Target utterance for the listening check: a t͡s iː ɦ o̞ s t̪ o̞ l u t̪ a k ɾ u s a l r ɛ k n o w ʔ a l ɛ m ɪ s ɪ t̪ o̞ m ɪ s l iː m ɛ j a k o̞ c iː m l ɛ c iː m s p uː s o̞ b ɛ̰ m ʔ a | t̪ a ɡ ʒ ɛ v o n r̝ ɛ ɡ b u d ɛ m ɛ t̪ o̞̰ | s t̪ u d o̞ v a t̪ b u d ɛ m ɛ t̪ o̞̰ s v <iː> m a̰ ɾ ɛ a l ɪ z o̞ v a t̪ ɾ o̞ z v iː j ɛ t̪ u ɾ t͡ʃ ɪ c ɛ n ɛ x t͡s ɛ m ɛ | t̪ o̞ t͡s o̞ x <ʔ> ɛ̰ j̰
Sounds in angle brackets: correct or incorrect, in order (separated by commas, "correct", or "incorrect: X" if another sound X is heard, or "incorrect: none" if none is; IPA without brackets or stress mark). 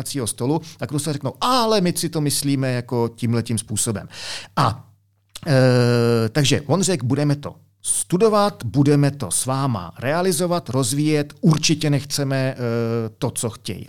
incorrect: aː, incorrect: c